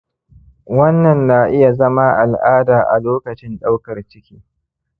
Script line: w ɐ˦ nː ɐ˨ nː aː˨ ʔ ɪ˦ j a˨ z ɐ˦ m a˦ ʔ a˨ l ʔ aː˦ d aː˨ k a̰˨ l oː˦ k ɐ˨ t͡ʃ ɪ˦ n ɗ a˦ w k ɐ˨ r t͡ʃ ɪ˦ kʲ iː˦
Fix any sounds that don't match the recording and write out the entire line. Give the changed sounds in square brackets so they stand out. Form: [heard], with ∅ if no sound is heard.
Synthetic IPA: w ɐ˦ nː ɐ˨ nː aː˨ ʔ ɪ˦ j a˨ z ɐ˦ m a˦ ʔ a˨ l ʔ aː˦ d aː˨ [ʔ] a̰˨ l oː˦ k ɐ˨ t͡ʃ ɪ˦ n ɗ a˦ w k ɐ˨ r t͡ʃ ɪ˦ kʲ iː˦

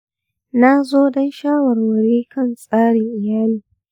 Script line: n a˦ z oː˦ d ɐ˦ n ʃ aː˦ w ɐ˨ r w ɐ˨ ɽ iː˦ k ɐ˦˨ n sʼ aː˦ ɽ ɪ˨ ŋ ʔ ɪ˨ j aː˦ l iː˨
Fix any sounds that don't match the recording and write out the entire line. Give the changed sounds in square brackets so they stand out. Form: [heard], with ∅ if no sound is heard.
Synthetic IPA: n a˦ z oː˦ d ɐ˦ n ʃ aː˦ w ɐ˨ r w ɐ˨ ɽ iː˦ k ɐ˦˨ n sʼ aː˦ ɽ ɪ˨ ŋ ʔ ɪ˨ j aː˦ l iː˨

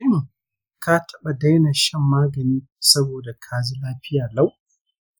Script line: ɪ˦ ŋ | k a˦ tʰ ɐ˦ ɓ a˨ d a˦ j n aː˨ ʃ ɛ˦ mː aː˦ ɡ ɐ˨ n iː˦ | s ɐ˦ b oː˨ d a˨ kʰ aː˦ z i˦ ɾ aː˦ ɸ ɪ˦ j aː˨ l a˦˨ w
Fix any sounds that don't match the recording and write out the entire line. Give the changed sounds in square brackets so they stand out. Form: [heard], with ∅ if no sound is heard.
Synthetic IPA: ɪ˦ ŋ | k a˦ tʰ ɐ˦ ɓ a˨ d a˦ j n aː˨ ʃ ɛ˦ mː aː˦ ɡ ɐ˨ n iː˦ | s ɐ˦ b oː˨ d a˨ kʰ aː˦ z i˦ [l] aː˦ ɸ ɪ˦ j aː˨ l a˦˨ w

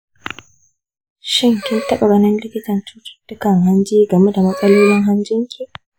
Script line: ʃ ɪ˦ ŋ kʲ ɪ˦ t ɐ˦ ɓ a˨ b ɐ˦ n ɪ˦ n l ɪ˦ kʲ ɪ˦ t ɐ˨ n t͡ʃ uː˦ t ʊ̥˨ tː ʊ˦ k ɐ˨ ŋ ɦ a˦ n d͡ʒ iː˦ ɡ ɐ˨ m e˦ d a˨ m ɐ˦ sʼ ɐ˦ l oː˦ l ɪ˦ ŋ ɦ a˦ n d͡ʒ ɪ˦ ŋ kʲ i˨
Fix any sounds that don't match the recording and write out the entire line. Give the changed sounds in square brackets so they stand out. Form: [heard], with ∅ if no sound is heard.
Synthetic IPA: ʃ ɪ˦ ŋ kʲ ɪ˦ t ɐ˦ ɓ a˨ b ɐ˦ n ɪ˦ n l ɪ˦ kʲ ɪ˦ t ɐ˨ n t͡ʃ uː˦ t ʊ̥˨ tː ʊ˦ k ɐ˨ ŋ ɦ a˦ n d͡ʒ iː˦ ɡ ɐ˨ m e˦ d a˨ m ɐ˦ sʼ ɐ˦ l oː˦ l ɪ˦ ŋ ɦ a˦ n d͡ʒ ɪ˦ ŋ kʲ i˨

